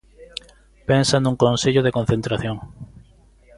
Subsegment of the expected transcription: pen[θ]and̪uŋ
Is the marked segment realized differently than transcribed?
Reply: yes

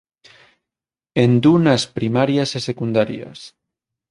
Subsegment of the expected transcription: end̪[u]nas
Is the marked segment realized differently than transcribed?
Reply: no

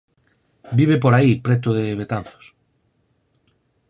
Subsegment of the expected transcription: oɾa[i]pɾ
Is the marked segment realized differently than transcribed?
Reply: no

